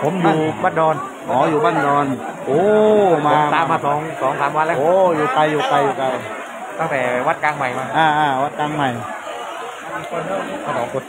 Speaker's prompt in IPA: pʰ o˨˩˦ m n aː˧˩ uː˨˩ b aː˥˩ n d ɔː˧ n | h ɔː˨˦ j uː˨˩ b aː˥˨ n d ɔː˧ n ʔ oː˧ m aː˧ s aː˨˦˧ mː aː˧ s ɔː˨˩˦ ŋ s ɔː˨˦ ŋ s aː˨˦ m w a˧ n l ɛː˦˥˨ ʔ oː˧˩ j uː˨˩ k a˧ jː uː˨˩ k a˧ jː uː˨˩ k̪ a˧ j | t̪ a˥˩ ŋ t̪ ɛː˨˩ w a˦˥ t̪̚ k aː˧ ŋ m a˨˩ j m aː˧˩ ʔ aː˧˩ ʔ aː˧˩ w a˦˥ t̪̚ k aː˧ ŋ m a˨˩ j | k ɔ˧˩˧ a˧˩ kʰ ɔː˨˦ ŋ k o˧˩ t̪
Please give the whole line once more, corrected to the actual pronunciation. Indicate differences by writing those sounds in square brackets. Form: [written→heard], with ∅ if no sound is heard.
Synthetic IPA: pʰ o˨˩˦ m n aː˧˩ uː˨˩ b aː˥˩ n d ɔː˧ n | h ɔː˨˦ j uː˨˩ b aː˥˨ n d ɔː˧ n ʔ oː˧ m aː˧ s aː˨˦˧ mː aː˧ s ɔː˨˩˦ ŋ s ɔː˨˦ ŋ s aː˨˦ m w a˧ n l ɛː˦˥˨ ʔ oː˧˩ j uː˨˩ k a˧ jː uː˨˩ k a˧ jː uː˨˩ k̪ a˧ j | t̪ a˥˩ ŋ t̪ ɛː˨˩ w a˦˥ t̪̚ k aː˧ ŋ m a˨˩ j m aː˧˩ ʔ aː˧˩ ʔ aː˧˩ w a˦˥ t̪̚ k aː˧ ŋ m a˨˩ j | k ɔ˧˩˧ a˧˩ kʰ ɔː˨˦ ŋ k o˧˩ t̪